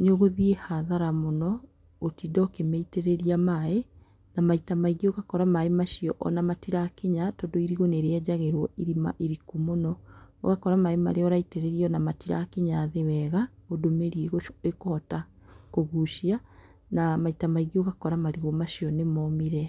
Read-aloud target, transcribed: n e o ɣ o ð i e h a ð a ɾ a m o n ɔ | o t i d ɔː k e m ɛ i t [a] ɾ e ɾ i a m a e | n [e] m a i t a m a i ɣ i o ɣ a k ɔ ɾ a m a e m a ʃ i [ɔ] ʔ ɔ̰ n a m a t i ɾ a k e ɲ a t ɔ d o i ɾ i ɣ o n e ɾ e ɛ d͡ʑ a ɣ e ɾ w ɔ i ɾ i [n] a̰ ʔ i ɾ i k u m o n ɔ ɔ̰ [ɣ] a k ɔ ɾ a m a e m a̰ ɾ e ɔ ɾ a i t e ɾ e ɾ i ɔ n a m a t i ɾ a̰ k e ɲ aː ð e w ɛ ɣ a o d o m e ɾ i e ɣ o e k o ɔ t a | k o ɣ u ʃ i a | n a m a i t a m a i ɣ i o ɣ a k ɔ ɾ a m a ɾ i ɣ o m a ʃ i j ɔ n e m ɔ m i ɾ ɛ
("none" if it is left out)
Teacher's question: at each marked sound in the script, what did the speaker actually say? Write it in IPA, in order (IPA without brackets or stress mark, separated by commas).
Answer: e, a, ɔ, m, ɣ